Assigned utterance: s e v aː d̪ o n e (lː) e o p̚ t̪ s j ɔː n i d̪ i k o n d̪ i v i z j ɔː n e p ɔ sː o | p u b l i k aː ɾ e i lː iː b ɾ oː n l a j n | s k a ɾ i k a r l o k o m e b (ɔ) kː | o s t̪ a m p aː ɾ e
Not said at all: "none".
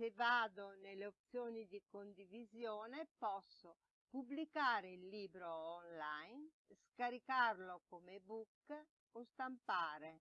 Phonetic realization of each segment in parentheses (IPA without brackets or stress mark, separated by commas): l, u